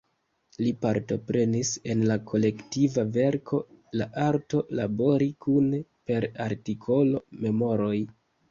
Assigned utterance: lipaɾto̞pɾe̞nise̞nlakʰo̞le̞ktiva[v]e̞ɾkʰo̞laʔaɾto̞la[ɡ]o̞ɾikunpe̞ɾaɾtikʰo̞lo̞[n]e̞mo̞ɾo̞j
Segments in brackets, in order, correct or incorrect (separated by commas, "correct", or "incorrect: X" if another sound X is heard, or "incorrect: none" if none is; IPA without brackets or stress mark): correct, incorrect: b, incorrect: m